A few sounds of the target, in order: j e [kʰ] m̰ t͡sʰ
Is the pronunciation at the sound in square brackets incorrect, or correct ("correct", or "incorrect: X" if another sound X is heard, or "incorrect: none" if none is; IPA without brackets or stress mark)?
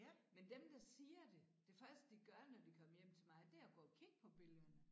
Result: incorrect: none